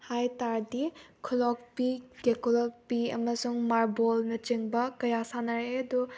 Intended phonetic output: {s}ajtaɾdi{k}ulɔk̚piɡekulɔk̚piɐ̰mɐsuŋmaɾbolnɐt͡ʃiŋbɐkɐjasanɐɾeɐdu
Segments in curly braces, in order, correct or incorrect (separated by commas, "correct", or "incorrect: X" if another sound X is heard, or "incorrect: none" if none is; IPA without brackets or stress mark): incorrect: h, incorrect: kʰ